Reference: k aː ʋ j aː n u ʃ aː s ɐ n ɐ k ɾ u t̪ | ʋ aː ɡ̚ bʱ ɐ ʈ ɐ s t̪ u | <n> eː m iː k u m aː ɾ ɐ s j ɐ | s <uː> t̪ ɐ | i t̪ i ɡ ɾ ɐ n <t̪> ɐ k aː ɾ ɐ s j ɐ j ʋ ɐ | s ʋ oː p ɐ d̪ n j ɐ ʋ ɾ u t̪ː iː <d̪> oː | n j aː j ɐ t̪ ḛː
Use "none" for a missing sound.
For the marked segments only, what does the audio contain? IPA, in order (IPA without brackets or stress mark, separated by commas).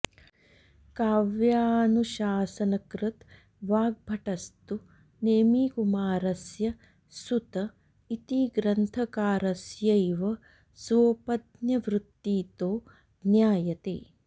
n, u, t̪ʰ, t̪